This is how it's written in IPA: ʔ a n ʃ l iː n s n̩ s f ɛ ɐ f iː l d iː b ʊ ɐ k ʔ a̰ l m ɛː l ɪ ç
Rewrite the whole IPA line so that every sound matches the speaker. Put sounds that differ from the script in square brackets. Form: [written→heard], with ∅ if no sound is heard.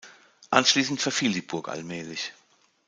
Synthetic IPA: ʔ a n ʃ l iː [n→∅] s n̩ [s→t] f ɛ ɐ f iː l d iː b ʊ ɐ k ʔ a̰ l m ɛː l ɪ ç

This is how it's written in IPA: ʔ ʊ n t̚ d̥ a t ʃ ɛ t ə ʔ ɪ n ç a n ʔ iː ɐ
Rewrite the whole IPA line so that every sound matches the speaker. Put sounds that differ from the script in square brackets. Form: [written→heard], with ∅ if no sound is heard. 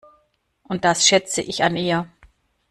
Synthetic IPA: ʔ ʊ n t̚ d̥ a [t→s] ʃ ɛ [t→t͡s] ə ʔ ɪ [n→∅] ç a n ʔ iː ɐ

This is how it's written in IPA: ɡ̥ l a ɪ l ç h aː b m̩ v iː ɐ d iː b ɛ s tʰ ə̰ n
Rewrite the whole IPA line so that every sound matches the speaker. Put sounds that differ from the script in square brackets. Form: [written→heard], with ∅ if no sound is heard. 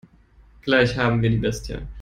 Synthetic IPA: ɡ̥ l a ɪ [l→∅] ç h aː b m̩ v iː ɐ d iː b ɛ s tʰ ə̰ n

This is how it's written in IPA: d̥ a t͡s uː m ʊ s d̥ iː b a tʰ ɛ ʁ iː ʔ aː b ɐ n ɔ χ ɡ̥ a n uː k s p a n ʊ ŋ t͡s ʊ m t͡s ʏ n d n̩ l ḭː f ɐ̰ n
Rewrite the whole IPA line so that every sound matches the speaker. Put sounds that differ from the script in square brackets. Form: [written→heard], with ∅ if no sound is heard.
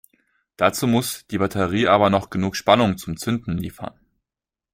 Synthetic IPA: d̥ a t͡s uː m ʊ s d̥ iː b a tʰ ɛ ʁ iː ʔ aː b ɐ n ɔ χ ɡ̥ [a→ə] n uː k [s→ʃ] p a n ʊ ŋ t͡s ʊ m t͡s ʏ n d n̩ l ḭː f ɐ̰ n

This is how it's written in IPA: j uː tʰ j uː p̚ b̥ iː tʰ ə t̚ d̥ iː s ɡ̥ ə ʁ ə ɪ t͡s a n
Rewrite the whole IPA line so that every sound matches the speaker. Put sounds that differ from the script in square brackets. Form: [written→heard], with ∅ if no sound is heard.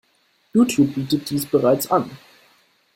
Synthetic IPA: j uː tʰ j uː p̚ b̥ iː [tʰ→t] ə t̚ d̥ iː s [ɡ̥→b̥] ə ʁ [ə→a] ɪ t͡s a n

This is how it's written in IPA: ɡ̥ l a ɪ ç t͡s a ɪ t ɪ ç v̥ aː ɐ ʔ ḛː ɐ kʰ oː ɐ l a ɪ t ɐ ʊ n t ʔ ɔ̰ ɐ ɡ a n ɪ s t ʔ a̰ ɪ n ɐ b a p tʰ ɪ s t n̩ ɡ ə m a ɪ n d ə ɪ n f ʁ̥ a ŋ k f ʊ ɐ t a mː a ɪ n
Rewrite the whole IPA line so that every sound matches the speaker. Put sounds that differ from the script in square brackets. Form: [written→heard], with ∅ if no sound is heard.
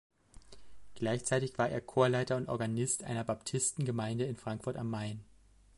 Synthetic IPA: ɡ̥ l a ɪ ç t͡s a ɪ t ɪ ç v̥ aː ɐ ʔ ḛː ɐ kʰ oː ɐ l a ɪ t ɐ ʊ n t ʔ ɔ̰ ɐ ɡ a n ɪ s t ʔ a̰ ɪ n ɐ b a p tʰ ɪ s t n̩ ɡ ə m a ɪ n d ə ɪ n f ʁ̥ a ŋ k f ʊ ɐ t a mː a ɪ n

